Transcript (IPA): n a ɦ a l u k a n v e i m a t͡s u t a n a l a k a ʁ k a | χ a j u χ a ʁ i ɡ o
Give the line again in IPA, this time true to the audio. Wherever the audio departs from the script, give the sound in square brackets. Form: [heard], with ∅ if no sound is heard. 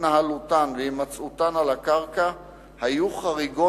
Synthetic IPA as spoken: n a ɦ a l u [t] a n v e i m a t͡s u t a n a l a k a ʁ k a | [h] a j u χ a ʁ i ɡ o